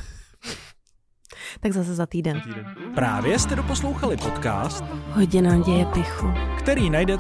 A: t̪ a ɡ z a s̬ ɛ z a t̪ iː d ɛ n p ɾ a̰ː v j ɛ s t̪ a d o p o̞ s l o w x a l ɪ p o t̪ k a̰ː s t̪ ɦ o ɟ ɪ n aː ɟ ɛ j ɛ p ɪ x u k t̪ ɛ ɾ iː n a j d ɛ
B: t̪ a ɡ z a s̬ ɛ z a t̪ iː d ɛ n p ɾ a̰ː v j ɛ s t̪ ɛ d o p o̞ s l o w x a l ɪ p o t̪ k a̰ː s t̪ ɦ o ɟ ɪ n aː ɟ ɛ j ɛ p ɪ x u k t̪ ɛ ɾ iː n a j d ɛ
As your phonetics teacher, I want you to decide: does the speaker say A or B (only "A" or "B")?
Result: B